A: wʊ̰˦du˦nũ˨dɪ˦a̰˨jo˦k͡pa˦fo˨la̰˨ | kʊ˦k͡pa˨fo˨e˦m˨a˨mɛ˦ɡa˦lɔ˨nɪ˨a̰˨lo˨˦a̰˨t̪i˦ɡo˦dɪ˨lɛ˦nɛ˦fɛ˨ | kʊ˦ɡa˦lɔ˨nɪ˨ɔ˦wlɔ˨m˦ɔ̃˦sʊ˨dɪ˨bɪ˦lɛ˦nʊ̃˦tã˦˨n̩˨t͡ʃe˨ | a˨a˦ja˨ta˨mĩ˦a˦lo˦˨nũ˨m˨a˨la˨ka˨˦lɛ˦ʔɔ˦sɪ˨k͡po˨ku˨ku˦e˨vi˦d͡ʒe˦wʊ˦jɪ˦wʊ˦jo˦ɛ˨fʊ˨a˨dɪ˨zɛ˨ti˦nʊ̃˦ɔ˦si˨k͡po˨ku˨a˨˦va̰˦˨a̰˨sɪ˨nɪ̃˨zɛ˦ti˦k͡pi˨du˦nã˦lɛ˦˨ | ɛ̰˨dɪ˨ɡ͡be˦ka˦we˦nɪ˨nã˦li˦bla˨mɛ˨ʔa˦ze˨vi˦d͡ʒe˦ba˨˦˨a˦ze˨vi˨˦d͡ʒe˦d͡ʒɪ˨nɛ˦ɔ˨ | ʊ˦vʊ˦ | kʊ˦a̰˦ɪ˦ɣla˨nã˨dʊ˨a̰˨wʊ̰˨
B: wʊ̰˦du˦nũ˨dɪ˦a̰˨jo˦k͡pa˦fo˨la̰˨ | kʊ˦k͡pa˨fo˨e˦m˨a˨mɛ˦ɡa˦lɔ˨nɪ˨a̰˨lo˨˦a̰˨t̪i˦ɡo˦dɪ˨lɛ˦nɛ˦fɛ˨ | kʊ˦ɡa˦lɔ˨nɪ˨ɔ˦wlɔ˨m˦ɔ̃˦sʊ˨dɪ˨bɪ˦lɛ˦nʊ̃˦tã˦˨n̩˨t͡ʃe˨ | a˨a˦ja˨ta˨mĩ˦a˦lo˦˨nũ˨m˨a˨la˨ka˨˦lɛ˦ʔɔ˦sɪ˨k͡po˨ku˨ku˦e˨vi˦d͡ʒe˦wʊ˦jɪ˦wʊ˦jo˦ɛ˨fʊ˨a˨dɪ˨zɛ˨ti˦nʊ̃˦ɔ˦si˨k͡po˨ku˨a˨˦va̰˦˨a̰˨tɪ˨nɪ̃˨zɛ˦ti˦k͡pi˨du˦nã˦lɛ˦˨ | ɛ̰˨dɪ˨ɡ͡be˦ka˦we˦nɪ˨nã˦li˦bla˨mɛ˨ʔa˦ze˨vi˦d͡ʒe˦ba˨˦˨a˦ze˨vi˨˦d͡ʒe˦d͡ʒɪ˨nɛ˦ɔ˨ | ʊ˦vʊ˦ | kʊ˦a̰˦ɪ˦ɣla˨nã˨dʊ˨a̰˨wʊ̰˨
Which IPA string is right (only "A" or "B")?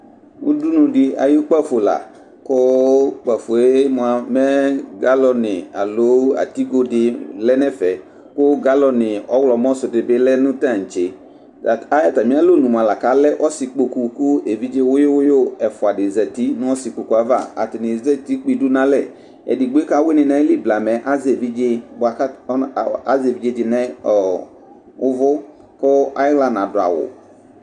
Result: B